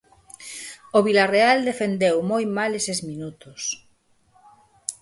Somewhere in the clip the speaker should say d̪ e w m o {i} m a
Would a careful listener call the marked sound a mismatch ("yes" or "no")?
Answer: yes